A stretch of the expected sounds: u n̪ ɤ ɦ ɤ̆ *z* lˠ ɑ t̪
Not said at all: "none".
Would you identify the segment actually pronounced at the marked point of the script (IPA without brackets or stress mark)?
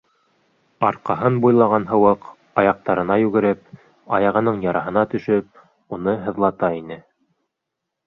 ð